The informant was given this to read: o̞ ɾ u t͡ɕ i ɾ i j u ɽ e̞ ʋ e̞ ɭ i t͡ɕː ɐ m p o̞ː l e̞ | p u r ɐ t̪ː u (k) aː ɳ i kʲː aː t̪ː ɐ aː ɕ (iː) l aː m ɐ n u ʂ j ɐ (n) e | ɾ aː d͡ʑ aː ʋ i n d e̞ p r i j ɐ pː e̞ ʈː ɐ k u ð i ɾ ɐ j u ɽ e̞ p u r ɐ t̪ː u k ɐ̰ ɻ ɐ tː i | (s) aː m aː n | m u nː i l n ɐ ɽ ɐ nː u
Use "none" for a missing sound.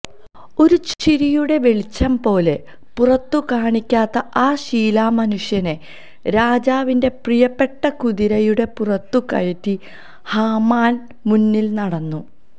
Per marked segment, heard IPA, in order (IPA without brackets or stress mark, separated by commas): k, iː, n, h